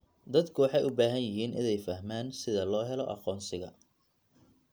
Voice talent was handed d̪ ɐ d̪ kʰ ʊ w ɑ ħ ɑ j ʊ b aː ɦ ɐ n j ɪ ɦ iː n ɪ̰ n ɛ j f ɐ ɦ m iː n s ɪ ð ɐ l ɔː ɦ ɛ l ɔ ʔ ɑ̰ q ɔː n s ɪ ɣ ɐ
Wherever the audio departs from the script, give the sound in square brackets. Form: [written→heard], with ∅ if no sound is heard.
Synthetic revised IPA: d̪ ɐ d̪ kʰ ʊ w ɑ ħ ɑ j ʊ b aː ɦ ɐ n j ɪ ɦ iː n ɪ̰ n ɛ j f ɐ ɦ m [iː→aː] n s ɪ ð ɐ l ɔː ɦ ɛ l ɔ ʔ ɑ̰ q ɔː n s ɪ ɣ ɐ